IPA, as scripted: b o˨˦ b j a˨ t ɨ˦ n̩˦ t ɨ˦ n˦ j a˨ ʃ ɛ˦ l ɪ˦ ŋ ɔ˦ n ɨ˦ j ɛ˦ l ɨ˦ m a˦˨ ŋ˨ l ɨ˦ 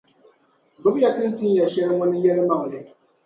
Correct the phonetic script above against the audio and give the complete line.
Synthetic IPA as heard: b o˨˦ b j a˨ t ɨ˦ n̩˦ t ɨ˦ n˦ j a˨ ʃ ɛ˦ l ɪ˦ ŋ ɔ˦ n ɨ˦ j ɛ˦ l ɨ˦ m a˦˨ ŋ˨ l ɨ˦